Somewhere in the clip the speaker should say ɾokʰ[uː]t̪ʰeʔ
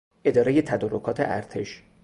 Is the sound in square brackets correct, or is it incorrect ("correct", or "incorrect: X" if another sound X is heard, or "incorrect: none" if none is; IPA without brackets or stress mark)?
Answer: incorrect: ɒː